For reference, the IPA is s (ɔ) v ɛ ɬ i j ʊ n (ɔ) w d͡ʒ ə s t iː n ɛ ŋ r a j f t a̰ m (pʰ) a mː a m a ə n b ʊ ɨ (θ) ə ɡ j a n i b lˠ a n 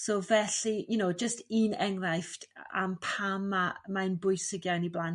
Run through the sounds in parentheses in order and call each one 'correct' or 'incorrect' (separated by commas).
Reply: incorrect, incorrect, correct, incorrect